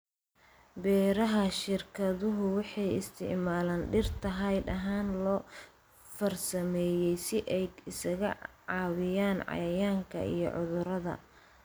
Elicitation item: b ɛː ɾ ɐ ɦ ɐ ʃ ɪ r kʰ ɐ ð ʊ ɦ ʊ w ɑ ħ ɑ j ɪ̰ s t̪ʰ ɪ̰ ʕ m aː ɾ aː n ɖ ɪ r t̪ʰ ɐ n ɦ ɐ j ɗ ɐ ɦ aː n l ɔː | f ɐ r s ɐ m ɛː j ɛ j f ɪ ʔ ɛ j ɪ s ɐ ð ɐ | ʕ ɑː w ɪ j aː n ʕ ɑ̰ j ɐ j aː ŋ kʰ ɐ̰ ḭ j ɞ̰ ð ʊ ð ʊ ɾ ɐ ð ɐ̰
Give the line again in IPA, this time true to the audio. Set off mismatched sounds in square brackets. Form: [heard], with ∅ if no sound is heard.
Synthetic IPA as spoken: b ɛː ɾ ɐ ɦ ɐ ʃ ɪ r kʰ ɐ ð ʊ ɦ ʊ w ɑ ħ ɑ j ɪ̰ s t̪ʰ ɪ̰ ʕ m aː [l] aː n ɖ ɪ r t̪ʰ ɐ [∅] ɦ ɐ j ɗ ɐ ɦ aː n l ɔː | f ɐ r s ɐ m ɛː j ɛ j [s] ɪ ʔ ɛ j ɪ s ɐ [ɣ] ɐ | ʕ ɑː w ɪ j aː n ʕ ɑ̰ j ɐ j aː ŋ kʰ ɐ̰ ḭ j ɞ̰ [ʕ] ʊ ð ʊ ɾ ɐ ð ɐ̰